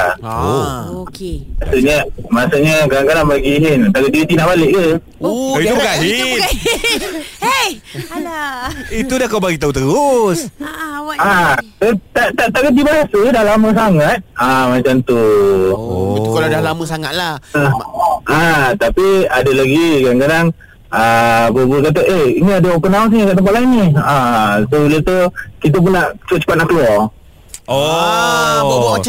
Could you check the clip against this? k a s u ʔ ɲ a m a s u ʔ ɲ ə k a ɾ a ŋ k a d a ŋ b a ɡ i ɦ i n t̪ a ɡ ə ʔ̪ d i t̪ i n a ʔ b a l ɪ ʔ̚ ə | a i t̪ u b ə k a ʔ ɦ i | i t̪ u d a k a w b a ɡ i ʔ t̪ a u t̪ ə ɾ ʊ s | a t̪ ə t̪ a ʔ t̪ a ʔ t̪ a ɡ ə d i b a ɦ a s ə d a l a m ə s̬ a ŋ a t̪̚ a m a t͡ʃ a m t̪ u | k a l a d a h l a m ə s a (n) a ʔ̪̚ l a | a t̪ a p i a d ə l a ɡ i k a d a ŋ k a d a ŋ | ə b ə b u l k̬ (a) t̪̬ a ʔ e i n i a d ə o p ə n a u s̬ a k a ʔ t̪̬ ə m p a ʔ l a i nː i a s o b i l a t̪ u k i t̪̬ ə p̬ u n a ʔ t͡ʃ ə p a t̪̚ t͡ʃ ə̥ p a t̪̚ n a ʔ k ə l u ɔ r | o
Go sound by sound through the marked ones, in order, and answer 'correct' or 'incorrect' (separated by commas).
incorrect, correct